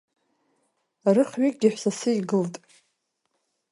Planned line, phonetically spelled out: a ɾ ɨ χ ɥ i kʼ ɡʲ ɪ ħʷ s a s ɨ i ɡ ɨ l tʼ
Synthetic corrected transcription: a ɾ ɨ χ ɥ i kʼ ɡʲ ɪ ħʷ s a s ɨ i ɡ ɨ l tʼ